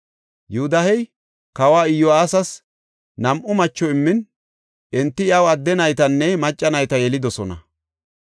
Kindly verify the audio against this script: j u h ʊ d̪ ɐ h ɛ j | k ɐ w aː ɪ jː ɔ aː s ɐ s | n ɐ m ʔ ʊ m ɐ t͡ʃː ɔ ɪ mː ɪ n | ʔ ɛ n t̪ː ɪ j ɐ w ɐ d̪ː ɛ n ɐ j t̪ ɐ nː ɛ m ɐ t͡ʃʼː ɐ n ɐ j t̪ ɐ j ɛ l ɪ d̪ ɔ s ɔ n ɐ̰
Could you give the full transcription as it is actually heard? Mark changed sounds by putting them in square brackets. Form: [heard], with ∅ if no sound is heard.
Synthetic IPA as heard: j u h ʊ d̪ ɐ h ɛ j | k ɐ w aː ɪ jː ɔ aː s ɐ s | n ɐ m ʔ ʊ m ɐ t͡ʃː ɔ ɪ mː ɪ n | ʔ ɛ n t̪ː ɪ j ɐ w ɐ d̪ː ɛ n ɐ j t̪ ɐ nː ɛ m ɐ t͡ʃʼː ɐ n ɐ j t̪ ɐ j ɛ l ɪ d̪ ɔ s ɔ n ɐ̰